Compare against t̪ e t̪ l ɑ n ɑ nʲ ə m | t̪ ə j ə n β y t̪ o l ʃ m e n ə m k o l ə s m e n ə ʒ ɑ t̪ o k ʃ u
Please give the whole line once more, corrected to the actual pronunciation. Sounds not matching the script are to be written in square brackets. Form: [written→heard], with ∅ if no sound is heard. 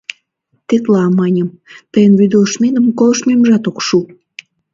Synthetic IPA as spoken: t̪ e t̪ l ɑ [n→m] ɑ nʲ ə m | t̪ ə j ə n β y [t̪→d̪] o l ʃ m e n ə m k o l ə [s→ʃ] m e [n→m] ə ʒ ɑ t̪ o k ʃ u